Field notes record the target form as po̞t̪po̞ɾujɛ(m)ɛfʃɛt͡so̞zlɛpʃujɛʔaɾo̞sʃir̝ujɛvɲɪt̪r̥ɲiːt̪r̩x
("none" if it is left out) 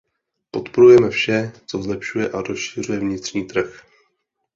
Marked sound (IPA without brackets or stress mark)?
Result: m